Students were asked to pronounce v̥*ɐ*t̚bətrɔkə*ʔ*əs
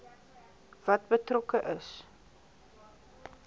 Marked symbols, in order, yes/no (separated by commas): yes, yes